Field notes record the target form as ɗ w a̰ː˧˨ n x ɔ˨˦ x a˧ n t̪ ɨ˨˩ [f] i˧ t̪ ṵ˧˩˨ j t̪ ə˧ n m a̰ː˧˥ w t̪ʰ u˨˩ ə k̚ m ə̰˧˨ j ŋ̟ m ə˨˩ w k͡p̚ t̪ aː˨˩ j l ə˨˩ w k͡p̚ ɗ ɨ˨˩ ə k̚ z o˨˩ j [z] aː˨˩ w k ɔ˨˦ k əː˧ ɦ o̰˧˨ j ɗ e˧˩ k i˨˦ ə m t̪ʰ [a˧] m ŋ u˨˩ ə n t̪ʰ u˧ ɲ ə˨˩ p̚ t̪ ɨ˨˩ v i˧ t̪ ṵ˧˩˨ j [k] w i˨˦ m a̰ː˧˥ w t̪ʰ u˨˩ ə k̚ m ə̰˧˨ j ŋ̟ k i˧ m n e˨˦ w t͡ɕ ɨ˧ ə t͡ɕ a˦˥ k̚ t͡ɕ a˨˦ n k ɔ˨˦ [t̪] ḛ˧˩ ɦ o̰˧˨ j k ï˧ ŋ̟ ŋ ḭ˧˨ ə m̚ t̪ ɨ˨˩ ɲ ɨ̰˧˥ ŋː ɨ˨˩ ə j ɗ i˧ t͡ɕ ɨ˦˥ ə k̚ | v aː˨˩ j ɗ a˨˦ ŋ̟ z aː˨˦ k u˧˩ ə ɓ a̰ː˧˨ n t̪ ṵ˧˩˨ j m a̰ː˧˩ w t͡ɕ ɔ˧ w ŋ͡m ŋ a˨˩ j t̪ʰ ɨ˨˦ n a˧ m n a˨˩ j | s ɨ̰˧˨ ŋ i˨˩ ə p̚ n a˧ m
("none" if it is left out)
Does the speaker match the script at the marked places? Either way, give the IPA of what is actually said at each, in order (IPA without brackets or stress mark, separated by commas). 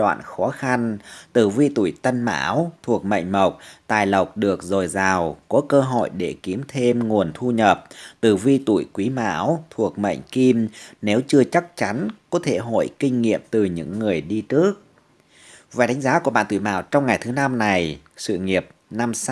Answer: v, z, e˧, k, t̪ʰ